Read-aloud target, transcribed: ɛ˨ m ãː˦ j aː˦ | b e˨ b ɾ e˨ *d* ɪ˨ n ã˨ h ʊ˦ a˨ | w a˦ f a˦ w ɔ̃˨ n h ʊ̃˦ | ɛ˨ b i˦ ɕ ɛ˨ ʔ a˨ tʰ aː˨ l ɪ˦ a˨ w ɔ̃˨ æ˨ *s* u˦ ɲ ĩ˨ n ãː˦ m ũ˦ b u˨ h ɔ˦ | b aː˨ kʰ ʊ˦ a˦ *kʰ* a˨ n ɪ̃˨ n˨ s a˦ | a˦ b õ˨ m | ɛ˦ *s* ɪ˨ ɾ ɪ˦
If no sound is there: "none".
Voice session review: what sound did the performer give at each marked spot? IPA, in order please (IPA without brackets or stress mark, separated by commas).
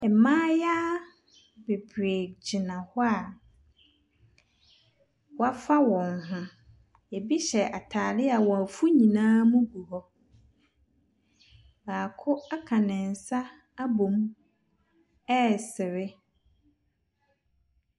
d͡ʑ, f, kʰ, s